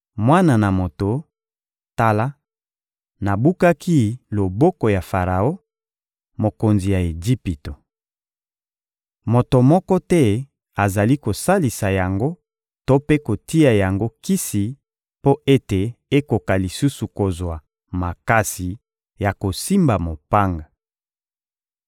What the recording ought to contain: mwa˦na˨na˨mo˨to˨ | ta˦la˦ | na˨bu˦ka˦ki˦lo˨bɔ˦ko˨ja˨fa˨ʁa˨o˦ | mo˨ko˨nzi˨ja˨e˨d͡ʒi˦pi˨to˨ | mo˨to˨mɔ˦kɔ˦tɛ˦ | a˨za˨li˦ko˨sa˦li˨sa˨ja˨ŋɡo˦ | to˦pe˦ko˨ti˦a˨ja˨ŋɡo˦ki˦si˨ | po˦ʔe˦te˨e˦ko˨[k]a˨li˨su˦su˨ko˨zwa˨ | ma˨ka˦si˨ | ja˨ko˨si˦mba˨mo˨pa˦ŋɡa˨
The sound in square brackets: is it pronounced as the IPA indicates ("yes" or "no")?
yes